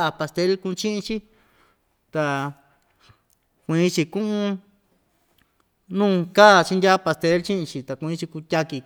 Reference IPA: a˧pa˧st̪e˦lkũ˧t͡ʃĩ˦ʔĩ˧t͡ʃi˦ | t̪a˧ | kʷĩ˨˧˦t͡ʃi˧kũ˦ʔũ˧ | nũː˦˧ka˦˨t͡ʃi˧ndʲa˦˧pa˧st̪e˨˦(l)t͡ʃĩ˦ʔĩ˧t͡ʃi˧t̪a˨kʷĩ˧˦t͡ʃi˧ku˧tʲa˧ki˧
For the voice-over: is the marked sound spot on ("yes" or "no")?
yes